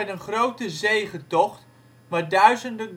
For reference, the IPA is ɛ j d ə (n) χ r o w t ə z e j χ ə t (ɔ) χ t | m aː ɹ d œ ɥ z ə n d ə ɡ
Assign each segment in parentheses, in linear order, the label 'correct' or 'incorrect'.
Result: correct, correct

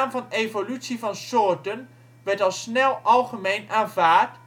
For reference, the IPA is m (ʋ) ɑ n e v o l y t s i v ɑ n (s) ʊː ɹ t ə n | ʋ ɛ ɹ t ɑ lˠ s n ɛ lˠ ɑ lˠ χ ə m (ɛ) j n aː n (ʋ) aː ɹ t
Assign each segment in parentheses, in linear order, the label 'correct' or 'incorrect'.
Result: incorrect, correct, incorrect, incorrect

